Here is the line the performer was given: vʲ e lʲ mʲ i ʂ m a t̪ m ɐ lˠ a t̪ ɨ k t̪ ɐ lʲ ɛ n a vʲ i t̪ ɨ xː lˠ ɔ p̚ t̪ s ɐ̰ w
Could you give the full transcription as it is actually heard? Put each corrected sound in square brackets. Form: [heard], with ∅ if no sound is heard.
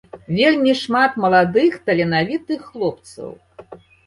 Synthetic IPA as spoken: vʲ e lʲ mʲ i ʂ m a t̪ m ɐ lˠ a [d̪] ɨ [x] t̪ ɐ lʲ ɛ n a vʲ i t̪ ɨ xː lˠ ɔ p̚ t̪ s ɐ̰ w